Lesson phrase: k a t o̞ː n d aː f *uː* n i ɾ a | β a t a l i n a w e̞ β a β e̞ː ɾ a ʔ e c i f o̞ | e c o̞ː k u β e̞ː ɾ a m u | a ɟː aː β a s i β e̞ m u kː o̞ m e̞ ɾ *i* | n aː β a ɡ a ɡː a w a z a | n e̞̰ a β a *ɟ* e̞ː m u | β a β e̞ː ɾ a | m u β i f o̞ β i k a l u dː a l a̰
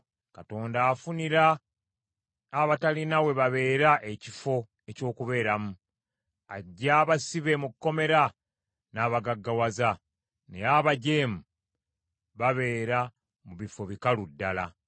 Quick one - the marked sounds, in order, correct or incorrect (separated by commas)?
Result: incorrect, incorrect, correct